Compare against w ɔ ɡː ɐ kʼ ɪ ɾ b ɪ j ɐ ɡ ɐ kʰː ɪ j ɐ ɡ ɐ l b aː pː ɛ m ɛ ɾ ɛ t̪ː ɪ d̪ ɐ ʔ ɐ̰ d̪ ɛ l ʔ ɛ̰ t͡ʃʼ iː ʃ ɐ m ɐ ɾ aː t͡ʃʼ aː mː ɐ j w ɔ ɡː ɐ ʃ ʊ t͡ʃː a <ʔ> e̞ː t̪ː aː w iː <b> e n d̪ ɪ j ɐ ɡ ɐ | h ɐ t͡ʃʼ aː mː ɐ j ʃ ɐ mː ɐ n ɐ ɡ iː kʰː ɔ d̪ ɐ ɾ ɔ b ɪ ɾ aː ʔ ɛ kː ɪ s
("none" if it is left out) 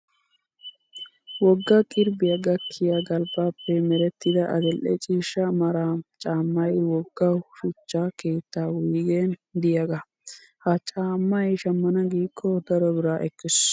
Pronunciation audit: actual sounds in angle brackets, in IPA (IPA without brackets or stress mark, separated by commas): k, ɡ